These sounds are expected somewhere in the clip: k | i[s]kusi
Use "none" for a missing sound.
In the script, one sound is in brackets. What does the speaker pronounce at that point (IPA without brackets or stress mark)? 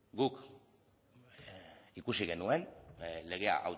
none